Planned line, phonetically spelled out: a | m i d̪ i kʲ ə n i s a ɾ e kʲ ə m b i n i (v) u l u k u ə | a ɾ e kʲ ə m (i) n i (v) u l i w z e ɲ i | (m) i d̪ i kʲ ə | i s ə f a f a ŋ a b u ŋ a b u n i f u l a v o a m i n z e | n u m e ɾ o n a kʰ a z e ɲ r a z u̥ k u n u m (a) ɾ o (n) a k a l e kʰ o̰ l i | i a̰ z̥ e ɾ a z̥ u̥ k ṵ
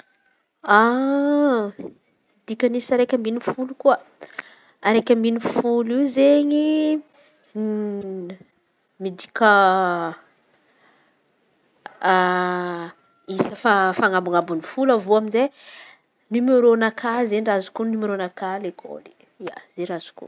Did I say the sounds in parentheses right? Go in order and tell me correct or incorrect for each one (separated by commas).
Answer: incorrect, correct, incorrect, correct, incorrect, correct